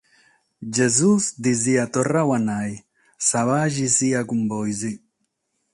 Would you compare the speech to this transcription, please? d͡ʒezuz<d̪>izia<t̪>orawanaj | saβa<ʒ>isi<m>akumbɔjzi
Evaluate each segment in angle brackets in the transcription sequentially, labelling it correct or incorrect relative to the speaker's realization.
correct, correct, correct, incorrect: none

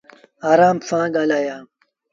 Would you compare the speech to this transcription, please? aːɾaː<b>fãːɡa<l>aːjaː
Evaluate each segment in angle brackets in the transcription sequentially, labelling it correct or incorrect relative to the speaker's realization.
incorrect: m, correct

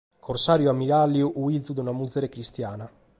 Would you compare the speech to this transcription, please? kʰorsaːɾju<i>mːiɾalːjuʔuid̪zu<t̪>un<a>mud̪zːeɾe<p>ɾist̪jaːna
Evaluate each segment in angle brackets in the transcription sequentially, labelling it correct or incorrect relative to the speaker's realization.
incorrect: a, incorrect: d̪, correct, incorrect: k

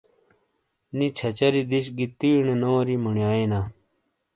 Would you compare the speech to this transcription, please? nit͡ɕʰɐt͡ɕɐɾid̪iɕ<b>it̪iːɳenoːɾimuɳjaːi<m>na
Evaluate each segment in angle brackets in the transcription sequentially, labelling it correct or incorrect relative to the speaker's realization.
incorrect: ɡ, incorrect: none

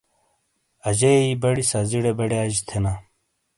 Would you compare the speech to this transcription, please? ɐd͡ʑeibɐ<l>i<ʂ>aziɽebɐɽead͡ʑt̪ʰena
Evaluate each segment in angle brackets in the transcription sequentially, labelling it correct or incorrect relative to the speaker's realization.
incorrect: ɽ, incorrect: s

